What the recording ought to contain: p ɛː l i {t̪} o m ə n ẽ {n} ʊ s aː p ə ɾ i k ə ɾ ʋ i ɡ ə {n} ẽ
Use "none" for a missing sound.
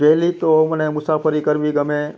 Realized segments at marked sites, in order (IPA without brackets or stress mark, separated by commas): t̪, m, m